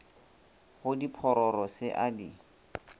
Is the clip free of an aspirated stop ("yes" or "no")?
no